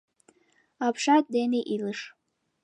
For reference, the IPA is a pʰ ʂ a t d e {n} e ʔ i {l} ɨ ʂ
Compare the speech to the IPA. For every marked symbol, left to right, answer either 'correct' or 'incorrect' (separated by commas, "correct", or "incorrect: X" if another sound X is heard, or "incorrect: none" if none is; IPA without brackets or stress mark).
correct, correct